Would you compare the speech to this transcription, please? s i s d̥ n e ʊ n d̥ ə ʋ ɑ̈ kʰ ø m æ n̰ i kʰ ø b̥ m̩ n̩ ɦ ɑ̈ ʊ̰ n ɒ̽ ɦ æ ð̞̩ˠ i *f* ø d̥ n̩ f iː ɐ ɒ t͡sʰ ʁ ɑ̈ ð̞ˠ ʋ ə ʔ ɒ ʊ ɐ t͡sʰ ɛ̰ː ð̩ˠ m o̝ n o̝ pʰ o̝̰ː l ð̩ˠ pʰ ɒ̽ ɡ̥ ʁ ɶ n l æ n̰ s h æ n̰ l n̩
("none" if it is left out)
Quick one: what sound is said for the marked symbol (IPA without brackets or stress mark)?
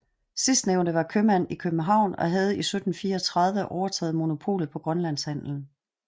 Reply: s